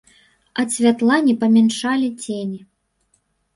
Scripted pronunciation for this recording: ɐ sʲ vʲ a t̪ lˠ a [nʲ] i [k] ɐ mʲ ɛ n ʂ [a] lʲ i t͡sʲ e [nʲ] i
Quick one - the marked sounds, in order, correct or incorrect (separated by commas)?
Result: correct, incorrect, correct, correct